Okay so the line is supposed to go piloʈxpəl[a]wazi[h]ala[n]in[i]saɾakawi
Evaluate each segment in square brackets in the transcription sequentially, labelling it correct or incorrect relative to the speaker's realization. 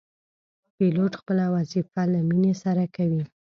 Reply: correct, incorrect, incorrect, incorrect

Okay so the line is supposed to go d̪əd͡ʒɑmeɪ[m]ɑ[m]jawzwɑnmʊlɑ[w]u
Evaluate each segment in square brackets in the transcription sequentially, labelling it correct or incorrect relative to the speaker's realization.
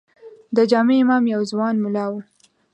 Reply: correct, correct, correct

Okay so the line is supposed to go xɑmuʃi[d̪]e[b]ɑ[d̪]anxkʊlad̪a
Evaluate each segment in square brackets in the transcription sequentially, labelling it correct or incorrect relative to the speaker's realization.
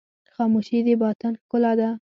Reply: correct, correct, incorrect

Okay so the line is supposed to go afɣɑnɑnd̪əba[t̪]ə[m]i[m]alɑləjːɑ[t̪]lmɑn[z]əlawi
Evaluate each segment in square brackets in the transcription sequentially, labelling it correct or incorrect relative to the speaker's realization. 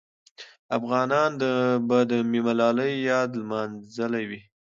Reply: incorrect, correct, correct, incorrect, correct

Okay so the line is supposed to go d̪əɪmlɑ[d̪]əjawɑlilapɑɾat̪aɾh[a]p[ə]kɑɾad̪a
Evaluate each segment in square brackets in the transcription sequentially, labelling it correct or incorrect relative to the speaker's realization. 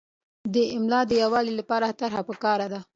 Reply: correct, correct, correct

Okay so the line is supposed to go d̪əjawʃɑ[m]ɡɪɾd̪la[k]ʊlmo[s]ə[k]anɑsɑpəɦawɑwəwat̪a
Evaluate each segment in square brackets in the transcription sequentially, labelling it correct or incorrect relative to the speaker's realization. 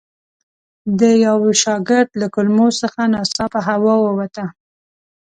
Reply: incorrect, correct, correct, incorrect

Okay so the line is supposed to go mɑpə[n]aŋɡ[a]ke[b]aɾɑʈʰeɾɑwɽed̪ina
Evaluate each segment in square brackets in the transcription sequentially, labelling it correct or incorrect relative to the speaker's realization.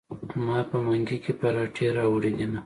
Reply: incorrect, incorrect, incorrect

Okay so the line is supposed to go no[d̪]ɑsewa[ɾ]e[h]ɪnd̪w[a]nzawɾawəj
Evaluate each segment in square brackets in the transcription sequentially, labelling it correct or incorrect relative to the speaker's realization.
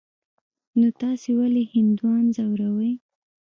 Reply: incorrect, incorrect, correct, incorrect

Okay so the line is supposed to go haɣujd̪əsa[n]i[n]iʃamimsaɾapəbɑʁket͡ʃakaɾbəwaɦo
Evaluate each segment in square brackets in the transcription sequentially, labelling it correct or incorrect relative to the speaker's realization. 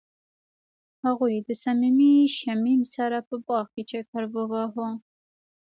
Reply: incorrect, incorrect

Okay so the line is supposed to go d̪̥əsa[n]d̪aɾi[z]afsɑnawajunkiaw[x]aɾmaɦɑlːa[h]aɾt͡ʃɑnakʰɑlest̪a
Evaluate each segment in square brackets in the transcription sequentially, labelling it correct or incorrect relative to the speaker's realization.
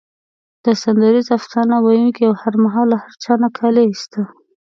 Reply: correct, correct, incorrect, correct

